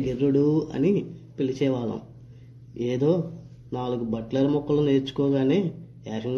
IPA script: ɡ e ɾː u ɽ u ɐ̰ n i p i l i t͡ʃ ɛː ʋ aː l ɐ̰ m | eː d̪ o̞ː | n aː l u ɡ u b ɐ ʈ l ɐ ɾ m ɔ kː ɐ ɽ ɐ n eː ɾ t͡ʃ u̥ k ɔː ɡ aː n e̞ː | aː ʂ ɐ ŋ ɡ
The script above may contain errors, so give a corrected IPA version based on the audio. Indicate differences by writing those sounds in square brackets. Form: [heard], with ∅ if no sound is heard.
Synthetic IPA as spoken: ɡ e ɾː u ɽ u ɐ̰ n i p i l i t͡ʃ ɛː ʋ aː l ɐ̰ m | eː d̪ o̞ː | n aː l u ɡ u b ɐ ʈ l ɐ ɾ m ɔ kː ɐ [l] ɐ n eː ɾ t͡ʃ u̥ k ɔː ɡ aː n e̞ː | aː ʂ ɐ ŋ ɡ